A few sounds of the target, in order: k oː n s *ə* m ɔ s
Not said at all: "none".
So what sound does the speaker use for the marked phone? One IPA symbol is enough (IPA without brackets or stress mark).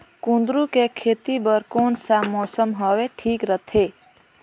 a